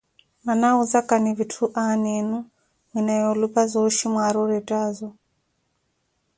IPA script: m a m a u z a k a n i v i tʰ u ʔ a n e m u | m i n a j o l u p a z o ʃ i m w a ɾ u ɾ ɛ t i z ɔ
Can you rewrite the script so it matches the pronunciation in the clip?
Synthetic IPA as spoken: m a n a u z a k a n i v i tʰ u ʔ a n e n u | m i n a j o l u p a z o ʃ i m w a ɾ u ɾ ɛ t a z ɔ

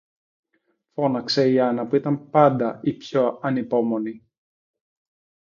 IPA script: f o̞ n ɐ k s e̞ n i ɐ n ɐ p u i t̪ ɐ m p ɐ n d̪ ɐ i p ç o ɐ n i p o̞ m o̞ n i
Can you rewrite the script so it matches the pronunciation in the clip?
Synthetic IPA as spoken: f o̞ n ɐ k s e̞ i ɐ n ɐ p u i t̪ ɐ m p ɐ n d̪ ɐ i p ç o ɐ n i p o̞ m o̞ n i

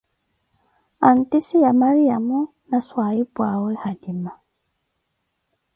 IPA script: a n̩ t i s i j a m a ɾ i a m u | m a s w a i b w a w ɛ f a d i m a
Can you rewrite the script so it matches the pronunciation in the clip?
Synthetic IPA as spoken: a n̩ t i s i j a m a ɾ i a m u | n a s w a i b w a w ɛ h a d i m a

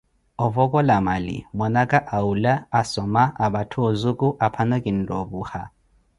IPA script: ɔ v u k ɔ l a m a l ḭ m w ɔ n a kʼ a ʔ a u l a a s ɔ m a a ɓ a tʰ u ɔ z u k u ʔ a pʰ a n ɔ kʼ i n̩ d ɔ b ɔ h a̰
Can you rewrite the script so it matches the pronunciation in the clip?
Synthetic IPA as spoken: ɔ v ɔ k ɔ l a m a l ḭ m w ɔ n a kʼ a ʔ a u l a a s ɔ m a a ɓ a tʰ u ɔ z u k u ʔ a pʰ a n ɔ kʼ i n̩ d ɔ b u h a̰

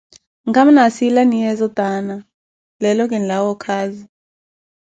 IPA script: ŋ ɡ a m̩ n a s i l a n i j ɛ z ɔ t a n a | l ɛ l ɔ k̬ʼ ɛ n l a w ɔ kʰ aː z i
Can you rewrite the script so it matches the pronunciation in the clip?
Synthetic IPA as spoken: ŋ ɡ a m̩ n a s i l a n i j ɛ z ɔ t a n a | l ɛ l ɔ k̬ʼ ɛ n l a w ɔ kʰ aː z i

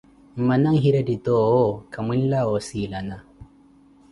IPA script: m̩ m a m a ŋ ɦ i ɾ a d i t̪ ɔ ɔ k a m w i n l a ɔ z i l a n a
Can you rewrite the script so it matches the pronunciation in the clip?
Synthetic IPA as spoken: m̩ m a n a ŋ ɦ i ɾ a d i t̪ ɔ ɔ k a m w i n l a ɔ s i l a n a

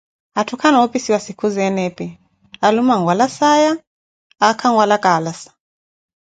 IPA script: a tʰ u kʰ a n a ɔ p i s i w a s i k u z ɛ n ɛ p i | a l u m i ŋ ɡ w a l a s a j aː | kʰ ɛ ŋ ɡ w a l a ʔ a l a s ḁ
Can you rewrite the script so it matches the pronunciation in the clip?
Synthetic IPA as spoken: a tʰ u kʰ a n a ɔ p i s i w a s i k u z ɛ n ɛ p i | a l u m a ŋ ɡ w a l a s a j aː | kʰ a ŋ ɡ w a l a k a l a s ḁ

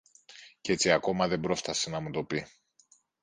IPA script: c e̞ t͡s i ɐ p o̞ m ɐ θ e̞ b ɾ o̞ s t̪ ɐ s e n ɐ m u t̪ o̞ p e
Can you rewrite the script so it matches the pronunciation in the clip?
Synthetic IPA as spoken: c e̞ t͡s i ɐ k o̞ m ɐ ð e̞ b ɾ o̞ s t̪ ɐ s e n ɐ m u t̪ o̞ p i

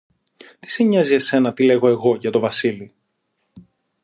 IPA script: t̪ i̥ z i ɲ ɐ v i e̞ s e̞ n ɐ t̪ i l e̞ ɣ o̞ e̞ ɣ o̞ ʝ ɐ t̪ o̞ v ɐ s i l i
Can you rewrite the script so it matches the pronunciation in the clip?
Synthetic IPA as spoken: t̪ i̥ s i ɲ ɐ z i e̞ s e̞ n ɐ t̪ i l e̞ ɣ o̞ e̞ ɣ o̞ ʝ ɐ t̪ o̞ v ɐ s i l i

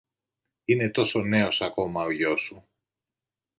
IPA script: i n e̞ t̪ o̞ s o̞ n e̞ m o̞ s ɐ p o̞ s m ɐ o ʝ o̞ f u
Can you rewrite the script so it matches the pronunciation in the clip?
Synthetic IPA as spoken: i n e̞ t̪ o̞ s o̞ n e̞ o̞ s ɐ k o̞ m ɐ o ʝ o̞ s u

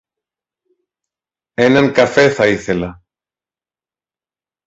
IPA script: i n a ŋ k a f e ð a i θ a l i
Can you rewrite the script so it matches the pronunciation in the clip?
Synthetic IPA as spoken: e n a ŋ k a f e θ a i θ e l a

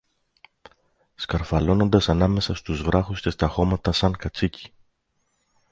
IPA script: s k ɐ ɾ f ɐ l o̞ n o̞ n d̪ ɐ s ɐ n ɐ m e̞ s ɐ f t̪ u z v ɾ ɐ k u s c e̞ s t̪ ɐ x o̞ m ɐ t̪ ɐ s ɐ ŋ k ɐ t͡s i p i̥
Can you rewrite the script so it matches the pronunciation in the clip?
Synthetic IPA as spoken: s k ɐ ɾ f ɐ l o̞ n o̞ n d̪ ɐ s ɐ n ɐ m e̞ s ɐ s t̪ u z v ɾ ɐ x u s c e̞ s t̪ ɐ x o̞ m ɐ t̪ ɐ s ɐ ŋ k ɐ t͡s i c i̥

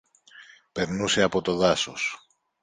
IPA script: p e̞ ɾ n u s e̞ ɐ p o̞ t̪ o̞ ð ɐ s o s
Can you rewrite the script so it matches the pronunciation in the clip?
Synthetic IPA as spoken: p e̞ ɾ n u s e̞ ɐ p o̞ t̪ o̞ ð ɐ s o s

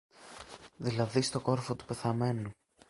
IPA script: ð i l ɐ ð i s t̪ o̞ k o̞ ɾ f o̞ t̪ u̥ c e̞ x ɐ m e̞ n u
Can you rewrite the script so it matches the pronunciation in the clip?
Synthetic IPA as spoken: ð i l ɐ ð i s t̪ o̞ k o̞ ɾ f o̞ t̪ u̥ p e̞ θ ɐ m e̞ n u

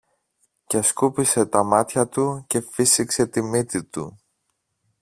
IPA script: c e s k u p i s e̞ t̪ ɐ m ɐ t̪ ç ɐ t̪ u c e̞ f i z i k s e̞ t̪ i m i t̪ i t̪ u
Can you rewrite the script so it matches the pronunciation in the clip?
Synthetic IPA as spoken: c e s k u p i s e̞ t̪ ɐ m ɐ t̪ ç ɐ t̪ u c e̞ f i s i k s e̞ t̪ i m i t̪ i t̪ u

